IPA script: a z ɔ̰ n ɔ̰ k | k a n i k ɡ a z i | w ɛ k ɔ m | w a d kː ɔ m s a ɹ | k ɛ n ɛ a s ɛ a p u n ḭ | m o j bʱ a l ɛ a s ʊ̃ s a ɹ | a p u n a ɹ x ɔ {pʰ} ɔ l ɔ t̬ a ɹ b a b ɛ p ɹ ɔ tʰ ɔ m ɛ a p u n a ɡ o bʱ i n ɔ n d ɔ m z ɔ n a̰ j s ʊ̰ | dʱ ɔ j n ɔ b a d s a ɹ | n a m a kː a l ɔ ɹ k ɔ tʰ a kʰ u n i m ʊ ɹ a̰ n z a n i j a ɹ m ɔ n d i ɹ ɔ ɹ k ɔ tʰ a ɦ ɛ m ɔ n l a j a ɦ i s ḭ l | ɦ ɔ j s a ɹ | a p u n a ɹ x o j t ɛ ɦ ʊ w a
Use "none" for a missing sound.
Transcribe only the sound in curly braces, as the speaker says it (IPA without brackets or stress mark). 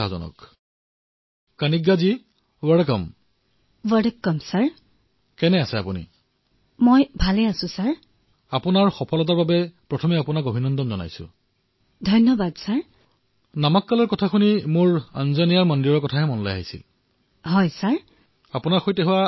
pʰ